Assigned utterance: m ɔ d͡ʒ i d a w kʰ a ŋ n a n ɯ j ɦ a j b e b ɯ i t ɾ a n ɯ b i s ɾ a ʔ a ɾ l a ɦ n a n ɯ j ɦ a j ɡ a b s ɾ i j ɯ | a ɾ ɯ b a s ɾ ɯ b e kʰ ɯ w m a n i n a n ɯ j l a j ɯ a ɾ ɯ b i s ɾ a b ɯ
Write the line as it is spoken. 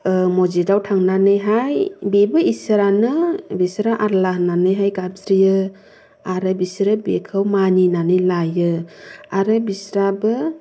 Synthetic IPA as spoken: m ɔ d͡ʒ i d a w tʰ a ŋ n a n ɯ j ɦ a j b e b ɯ i s ɾ a n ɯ b i s ɾ a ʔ a ɾ l a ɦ n a n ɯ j ɦ a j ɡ a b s ɾ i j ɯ | a ɾ ɯ b i s ɾ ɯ b e kʰ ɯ w m a n i n a n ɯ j l a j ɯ a ɾ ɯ b i s ɾ a b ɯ